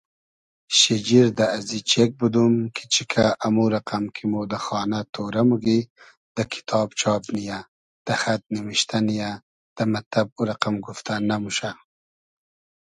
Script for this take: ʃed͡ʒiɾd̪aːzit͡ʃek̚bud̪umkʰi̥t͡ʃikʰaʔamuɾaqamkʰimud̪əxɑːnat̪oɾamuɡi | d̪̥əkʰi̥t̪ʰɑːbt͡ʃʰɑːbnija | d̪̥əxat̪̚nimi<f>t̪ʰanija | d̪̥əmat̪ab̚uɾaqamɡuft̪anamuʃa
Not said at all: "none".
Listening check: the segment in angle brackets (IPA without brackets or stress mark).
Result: ʃ